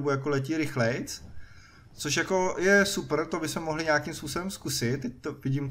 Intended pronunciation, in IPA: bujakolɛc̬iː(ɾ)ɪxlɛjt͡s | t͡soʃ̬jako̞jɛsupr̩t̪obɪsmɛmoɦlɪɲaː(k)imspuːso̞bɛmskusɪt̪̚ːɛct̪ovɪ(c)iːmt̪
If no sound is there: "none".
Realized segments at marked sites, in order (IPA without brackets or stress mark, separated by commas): ɾ, k, ɟ